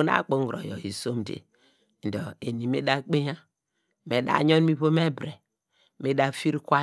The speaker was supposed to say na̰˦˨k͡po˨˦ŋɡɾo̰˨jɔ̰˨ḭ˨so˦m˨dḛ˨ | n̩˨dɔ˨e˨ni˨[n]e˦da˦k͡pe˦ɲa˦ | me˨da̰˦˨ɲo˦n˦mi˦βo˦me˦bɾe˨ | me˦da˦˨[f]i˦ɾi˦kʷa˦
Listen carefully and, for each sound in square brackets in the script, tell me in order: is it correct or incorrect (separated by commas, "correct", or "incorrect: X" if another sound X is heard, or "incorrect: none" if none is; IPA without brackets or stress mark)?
incorrect: m, correct